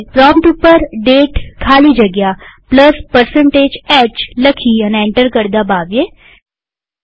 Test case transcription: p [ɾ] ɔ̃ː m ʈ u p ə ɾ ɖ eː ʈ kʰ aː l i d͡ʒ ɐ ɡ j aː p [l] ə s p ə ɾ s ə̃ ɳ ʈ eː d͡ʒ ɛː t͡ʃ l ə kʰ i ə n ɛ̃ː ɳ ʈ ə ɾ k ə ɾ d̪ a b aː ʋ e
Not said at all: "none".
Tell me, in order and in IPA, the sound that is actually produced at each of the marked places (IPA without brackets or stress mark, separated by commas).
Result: ɾ, l